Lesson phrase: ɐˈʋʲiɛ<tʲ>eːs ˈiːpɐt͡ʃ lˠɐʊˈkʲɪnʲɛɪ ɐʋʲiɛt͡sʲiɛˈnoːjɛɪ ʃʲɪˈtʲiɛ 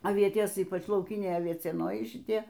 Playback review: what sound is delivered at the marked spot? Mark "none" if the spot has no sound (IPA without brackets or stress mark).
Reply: tʲ